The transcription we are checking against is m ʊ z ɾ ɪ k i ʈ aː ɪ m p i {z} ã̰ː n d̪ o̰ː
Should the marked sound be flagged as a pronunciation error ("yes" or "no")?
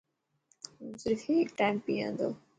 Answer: yes